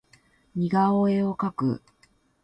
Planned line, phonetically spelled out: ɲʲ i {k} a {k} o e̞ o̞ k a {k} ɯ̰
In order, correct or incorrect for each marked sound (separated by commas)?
incorrect, incorrect, correct